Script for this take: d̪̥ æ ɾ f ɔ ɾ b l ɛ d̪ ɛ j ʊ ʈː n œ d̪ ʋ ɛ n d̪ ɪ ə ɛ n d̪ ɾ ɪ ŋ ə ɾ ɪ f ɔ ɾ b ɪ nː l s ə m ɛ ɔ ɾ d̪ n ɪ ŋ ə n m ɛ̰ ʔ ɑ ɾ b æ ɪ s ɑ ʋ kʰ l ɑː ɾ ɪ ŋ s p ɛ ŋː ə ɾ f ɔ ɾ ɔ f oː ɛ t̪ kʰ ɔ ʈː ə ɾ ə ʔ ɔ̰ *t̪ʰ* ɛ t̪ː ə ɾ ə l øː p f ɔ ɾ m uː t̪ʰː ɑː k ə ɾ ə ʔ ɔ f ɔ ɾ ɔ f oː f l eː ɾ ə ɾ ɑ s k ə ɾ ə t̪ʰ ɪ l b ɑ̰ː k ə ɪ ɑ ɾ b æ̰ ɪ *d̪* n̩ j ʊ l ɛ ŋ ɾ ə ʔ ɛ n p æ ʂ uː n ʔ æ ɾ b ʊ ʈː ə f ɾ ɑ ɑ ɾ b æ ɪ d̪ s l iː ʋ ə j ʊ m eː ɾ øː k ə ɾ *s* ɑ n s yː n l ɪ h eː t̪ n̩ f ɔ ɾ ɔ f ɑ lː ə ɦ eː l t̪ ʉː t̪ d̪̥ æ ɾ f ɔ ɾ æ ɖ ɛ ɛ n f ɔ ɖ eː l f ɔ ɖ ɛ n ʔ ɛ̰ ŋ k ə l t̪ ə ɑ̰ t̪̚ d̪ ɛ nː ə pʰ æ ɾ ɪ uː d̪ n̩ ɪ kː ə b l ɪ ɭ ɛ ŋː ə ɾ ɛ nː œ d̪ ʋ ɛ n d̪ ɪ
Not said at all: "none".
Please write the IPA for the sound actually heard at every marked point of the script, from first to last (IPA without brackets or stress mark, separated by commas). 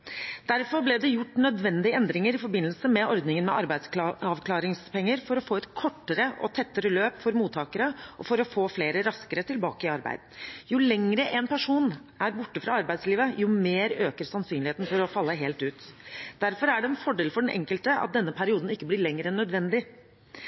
t̪ʰ, d̪, s